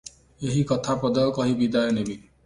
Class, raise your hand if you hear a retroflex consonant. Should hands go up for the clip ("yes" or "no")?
no